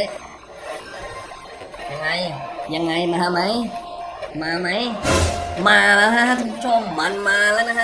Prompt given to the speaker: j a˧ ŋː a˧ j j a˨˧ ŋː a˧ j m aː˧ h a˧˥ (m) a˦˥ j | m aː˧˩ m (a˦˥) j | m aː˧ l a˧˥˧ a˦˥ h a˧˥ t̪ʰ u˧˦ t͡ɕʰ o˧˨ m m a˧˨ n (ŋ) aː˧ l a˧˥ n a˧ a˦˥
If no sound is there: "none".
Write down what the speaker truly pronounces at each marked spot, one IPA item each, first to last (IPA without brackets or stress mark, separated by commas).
m, a˦˥, m